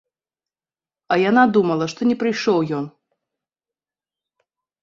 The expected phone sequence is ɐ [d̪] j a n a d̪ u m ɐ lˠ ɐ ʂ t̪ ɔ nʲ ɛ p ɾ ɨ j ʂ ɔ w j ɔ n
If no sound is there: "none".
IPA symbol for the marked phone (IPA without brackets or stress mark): none